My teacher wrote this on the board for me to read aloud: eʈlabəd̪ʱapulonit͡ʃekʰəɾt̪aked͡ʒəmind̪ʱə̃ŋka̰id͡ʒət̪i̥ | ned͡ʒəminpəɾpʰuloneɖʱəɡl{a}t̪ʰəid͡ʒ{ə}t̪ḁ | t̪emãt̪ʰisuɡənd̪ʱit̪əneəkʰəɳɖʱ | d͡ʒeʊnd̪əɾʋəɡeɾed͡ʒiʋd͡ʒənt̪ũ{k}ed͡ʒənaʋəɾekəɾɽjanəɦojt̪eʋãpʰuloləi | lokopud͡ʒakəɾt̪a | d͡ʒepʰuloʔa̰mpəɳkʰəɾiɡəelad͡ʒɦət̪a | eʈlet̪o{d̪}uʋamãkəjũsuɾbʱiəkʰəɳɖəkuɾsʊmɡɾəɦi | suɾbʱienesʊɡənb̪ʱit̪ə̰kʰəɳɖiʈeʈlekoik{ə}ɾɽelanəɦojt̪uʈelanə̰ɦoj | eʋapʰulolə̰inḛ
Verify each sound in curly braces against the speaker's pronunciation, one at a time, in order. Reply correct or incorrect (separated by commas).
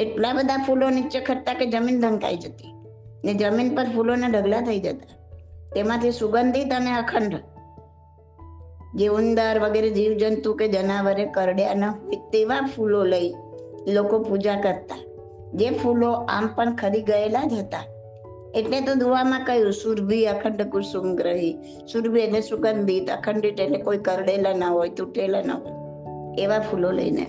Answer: correct, correct, correct, correct, correct